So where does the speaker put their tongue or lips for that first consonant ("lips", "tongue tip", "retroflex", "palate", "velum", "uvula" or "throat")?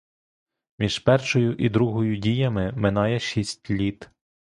lips